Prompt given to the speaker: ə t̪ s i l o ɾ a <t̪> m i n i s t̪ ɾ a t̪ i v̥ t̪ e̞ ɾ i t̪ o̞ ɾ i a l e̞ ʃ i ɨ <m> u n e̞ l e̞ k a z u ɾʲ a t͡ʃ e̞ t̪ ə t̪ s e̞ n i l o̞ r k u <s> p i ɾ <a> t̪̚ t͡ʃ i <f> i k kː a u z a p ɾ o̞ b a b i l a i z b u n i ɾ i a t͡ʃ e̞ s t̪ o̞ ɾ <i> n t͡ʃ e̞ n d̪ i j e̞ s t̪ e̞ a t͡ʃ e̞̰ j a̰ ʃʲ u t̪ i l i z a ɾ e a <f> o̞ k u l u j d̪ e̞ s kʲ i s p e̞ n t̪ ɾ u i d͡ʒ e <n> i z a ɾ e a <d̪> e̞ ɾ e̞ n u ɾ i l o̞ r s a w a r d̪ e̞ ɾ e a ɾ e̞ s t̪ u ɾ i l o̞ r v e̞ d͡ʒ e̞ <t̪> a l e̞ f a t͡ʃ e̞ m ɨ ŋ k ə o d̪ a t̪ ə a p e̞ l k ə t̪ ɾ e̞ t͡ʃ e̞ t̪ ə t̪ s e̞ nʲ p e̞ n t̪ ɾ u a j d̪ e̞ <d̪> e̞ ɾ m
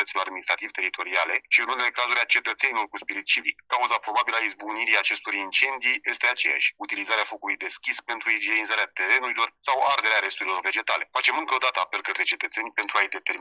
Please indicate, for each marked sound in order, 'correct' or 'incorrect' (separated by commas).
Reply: incorrect, incorrect, correct, incorrect, incorrect, correct, correct, correct, incorrect, correct, incorrect